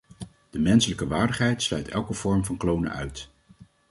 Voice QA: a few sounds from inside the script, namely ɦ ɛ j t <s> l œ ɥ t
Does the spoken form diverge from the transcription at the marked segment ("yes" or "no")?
no